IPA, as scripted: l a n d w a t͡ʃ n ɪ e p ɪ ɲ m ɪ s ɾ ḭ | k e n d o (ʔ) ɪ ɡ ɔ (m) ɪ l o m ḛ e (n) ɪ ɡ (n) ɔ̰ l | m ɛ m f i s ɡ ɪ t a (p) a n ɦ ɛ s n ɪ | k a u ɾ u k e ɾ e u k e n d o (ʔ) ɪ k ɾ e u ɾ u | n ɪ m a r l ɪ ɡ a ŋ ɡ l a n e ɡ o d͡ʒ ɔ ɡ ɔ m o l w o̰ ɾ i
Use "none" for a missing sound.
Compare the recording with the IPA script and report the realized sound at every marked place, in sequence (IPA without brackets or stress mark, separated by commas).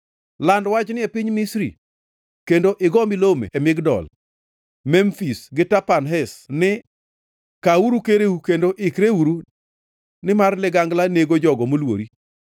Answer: ʔ, m, m, d, p, ʔ